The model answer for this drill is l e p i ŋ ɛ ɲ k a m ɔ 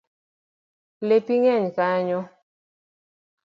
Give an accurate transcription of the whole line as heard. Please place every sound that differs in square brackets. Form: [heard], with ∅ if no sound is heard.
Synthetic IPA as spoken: l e p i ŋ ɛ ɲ k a [ɲ] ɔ